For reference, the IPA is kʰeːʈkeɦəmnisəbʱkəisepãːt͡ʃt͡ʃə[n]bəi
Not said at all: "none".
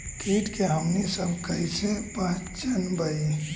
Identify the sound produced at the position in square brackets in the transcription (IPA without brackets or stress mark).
n